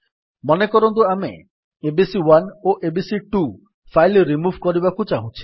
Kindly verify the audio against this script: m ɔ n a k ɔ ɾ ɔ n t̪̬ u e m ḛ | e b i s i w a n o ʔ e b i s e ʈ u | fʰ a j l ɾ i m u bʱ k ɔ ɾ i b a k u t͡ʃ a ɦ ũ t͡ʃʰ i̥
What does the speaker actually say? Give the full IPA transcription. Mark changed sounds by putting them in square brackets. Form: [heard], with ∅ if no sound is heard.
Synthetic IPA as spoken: m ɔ n [e] k ɔ ɾ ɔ n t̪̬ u [a] m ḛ | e b i s i w a n o ʔ e b i s [i] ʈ u | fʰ a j l ɾ i m u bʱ k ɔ ɾ i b a k u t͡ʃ a ɦ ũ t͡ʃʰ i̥

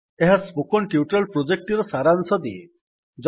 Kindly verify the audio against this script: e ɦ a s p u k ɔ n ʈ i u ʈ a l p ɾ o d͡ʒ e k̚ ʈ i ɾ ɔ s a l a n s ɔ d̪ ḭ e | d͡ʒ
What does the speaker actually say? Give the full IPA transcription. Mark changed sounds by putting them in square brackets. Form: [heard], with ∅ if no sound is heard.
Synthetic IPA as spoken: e ɦ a s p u k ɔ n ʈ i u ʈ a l p ɾ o d͡ʒ e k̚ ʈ i ɾ ɔ s a [ɾ] a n s ɔ d̪ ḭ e | d͡ʒ

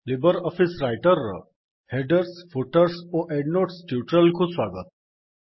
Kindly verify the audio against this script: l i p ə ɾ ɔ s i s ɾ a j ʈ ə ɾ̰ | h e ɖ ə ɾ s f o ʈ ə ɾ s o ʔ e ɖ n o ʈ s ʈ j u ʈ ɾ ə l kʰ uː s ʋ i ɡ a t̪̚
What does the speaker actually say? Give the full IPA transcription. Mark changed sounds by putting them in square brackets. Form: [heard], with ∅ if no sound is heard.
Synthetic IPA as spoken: l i [b] ə ɾ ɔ [f] i s ɾ a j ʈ ə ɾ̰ | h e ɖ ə ɾ s f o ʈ ə ɾ s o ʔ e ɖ n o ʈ s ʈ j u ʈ ɾ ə l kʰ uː s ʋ [a] ɡ [ə] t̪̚

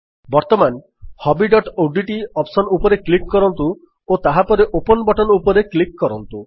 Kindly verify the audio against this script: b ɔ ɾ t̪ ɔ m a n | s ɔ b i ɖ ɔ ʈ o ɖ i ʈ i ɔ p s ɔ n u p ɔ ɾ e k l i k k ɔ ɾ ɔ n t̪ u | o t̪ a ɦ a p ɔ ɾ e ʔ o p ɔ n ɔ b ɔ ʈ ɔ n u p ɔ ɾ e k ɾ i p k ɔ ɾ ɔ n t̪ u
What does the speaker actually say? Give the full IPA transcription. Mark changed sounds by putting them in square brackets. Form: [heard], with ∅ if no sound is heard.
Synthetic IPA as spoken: b ɔ ɾ t̪ ɔ m a n | [h] ɔ b i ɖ ɔ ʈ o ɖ i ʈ i ɔ p s ɔ n u p ɔ ɾ e k l i k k ɔ ɾ ɔ n t̪ u | o t̪ a ɦ a p ɔ ɾ e ʔ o p ɔ n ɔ b ɔ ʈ ɔ n u p ɔ ɾ e k [l] i [k] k ɔ ɾ ɔ n t̪ u

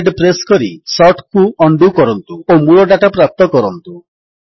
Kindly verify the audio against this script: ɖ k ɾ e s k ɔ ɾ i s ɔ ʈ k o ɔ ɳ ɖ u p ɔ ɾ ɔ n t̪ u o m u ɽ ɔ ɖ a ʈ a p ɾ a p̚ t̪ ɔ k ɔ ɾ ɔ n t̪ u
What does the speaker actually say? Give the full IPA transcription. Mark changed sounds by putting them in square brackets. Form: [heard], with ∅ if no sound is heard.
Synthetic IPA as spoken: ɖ [p] ɾ e s k ɔ ɾ i s ɔ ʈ k [u] ɔ ɳ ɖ u [k] ɔ ɾ ɔ n t̪ u o m u [ɭ] ɔ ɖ a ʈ a p ɾ a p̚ t̪ ɔ k ɔ ɾ ɔ n t̪ u

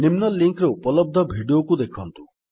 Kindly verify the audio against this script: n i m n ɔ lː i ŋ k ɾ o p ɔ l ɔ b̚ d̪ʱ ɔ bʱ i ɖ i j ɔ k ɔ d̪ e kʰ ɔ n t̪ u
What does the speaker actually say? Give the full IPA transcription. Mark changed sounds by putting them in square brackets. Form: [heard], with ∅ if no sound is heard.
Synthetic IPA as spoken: n i m n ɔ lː i ŋ k ɾ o p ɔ l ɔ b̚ d̪ʱ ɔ bʱ i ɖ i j [o] k [u] d̪ e kʰ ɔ n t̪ u

